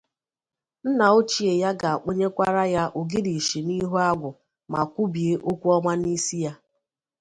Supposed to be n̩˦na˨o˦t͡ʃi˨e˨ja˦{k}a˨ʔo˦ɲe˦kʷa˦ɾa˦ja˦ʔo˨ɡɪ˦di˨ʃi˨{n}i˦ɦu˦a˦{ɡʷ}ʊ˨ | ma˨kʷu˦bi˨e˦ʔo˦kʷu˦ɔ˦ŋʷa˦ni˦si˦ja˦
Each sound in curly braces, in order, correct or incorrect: incorrect: ɡ, correct, correct

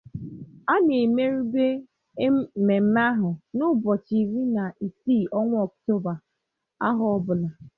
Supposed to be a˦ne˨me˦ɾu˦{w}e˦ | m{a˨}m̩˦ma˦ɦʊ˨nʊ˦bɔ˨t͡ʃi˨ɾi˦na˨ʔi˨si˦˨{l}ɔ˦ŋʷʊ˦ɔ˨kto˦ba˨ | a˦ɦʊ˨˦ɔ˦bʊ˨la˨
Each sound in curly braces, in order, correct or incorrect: incorrect: b, incorrect: e˨, incorrect: none

